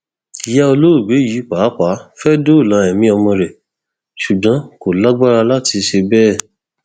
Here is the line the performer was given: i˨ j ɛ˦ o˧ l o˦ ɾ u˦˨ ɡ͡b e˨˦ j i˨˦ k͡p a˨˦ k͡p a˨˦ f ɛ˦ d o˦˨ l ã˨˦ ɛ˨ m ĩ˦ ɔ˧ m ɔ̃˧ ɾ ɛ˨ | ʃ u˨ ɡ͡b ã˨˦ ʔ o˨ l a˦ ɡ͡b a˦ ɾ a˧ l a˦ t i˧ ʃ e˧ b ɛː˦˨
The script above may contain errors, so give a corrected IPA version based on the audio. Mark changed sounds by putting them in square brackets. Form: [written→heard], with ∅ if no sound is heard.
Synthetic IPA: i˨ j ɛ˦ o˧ l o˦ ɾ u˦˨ ɡ͡b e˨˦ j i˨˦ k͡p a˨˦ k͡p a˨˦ f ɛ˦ d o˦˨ l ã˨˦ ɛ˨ m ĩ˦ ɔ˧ m ɔ̃˧ ɾ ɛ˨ | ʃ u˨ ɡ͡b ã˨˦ [ʔ→k] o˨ l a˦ ɡ͡b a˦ ɾ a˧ l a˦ t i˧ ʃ e˧ b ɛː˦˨

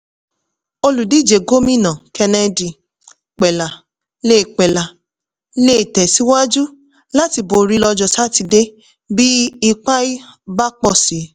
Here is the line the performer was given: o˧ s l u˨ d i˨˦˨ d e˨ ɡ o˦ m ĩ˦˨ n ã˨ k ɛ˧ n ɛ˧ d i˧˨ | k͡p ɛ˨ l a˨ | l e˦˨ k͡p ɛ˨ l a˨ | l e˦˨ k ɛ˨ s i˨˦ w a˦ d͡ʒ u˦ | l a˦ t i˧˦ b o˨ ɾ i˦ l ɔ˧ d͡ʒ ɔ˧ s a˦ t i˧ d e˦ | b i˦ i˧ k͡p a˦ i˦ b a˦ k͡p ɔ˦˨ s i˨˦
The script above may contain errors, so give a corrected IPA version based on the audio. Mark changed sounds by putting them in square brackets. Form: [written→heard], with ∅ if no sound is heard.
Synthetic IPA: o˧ [s→∅] l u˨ d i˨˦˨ [d→d͡ʒ] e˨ ɡ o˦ m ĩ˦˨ n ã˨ k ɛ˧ n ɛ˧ d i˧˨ | k͡p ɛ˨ l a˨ | l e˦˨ k͡p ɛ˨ l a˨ | l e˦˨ [k→t] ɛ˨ s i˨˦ w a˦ d͡ʒ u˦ | l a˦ t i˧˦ b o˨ ɾ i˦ l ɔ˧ d͡ʒ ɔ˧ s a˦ t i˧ d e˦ | b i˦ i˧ k͡p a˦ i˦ b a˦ k͡p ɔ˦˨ s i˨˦

